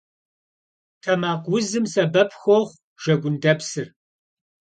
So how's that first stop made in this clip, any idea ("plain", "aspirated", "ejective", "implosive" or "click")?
aspirated